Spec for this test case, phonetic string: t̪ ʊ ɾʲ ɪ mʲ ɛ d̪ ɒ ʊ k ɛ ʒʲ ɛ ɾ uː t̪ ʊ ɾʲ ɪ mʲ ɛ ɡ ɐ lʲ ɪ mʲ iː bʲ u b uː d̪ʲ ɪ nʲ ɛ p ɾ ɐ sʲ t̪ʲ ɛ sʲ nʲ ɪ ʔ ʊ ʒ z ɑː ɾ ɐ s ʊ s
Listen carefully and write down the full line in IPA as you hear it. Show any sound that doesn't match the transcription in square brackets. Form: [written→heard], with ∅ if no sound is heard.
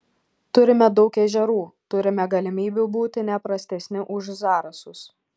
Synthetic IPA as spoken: t̪ ʊ ɾʲ ɪ mʲ ɛ d̪ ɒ ʊ k ɛ ʒʲ ɛ ɾ uː t̪ ʊ ɾʲ ɪ mʲ ɛ ɡ ɐ lʲ ɪ mʲ iː bʲ u b uː [d̪ʲ→t̪ʲ] ɪ nʲ ɛ p ɾ ɐ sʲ t̪ʲ ɛ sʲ nʲ ɪ ʔ ʊ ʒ z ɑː ɾ ɐ s ʊ s